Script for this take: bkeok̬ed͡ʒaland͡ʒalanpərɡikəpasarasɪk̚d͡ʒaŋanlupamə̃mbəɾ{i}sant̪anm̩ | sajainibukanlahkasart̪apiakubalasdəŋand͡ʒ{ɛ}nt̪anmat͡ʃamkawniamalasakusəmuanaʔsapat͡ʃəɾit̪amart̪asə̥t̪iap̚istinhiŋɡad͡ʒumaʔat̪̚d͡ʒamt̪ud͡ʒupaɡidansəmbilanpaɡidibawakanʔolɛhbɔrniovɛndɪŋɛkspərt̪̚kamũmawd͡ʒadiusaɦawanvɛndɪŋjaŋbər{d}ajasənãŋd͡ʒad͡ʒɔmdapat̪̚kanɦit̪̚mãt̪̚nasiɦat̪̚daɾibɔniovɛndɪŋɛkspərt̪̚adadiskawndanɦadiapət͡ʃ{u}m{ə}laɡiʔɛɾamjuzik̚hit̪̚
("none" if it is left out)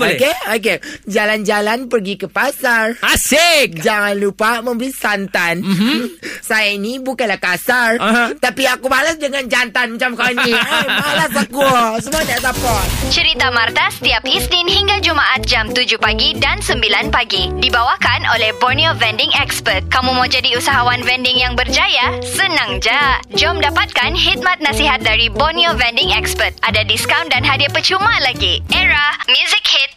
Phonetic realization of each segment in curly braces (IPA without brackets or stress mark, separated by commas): i, a, d͡ʒ, u, a